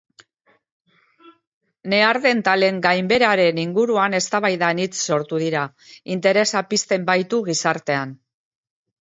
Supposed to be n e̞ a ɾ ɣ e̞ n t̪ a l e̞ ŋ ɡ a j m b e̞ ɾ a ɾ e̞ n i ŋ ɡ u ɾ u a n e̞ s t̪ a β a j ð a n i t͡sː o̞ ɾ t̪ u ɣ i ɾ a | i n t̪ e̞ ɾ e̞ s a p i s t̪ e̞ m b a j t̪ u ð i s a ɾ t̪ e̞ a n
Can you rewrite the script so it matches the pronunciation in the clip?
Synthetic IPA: n e̞ a ɾ ð e̞ n t̪ a l e̞ ŋ ɡ a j m b e̞ ɾ a ɾ e̞ n i ŋ ɡ u ɾ u a n e̞ s t̪ a β a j ð a n i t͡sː o̞ ɾ t̪ u ð i ɾ a | i n t̪ e̞ ɾ e̞ s a p i s t̪ e̞ m b a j t̪ u ɣ i s a ɾ t̪ e̞ a n